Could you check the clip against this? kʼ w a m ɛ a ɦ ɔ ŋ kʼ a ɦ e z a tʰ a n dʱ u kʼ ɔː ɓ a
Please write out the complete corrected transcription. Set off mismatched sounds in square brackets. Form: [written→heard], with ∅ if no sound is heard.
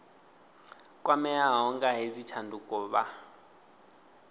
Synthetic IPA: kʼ w a m ɛ a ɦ ɔ ŋ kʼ a ɦ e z [a→i] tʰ a n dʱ u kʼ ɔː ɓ a